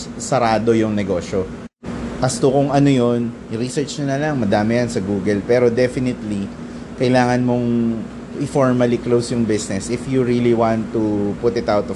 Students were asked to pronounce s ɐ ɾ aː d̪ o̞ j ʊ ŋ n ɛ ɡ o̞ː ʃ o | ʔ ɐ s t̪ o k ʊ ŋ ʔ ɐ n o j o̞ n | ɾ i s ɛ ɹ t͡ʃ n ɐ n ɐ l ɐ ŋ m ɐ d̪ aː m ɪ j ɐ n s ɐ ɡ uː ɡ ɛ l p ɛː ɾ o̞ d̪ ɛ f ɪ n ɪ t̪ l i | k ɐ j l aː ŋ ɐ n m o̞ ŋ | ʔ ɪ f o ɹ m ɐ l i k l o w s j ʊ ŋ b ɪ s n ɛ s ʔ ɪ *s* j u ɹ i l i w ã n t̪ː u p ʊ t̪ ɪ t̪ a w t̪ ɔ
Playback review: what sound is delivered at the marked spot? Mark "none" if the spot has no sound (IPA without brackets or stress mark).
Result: f